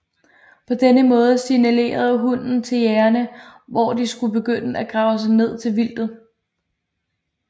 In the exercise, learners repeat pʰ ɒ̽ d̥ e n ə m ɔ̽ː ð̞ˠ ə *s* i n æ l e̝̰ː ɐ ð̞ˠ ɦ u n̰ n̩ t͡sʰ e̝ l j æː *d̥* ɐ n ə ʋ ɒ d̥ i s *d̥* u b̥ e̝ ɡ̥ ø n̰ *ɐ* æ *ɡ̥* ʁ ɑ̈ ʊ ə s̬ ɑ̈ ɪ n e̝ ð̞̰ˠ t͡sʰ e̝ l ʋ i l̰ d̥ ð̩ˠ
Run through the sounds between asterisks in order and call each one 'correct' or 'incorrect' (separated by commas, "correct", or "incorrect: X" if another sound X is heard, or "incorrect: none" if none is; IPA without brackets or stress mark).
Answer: correct, incorrect: none, incorrect: ɡ̥, incorrect: ə, correct